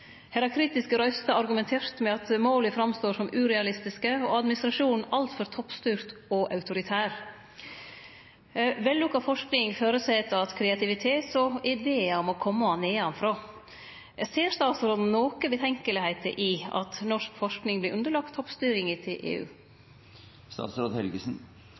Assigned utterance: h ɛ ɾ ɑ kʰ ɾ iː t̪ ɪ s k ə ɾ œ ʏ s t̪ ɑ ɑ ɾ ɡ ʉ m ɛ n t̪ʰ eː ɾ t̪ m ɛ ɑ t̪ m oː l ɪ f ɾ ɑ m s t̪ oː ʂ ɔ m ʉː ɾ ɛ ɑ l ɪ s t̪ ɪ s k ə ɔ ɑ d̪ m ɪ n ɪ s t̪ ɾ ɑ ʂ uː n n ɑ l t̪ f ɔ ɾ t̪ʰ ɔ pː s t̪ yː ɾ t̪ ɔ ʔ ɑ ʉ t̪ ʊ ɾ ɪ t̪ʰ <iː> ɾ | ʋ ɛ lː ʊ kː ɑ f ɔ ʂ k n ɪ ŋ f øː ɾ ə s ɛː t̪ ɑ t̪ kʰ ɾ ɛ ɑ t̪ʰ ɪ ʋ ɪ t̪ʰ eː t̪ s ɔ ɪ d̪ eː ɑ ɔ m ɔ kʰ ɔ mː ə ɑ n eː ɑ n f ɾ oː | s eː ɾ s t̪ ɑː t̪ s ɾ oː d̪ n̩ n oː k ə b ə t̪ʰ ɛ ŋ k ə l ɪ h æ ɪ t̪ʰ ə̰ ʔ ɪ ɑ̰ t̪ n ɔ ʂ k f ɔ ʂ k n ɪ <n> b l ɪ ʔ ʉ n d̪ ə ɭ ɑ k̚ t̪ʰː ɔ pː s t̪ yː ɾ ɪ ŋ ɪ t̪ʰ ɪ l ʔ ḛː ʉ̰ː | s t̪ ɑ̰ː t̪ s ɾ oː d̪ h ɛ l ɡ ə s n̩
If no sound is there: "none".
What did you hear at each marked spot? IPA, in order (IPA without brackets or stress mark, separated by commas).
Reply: æː, ŋ